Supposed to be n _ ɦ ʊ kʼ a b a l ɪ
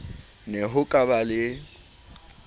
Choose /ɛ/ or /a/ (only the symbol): ɛ